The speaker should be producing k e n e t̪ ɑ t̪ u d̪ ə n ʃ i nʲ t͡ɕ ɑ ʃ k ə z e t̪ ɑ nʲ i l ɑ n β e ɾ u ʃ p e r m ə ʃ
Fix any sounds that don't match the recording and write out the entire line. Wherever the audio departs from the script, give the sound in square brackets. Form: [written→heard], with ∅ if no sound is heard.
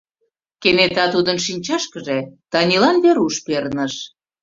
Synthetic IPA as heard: k e n e t̪ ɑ t̪ u d̪ ə n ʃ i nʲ t͡ɕ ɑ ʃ k ə [z→ʒ] e t̪ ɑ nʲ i l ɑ n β e ɾ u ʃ p e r [m→n] ə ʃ